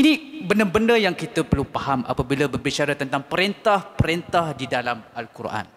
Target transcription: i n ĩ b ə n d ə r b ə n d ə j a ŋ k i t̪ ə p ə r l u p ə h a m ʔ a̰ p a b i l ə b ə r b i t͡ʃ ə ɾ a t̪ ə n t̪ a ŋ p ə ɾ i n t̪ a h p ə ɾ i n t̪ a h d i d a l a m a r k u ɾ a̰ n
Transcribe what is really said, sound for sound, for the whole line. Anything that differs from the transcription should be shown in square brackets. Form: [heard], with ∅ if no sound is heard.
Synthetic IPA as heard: i n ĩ b ə n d ə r b ə n d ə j a ŋ k i t̪ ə p ə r l u p [a] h a m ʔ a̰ p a b i l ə b ə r b i t͡ʃ [a] ɾ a t̪ ə n t̪ a ŋ p ə ɾ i n t̪ a h p ə ɾ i n t̪ a h d i d a l a m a [l] k u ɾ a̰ n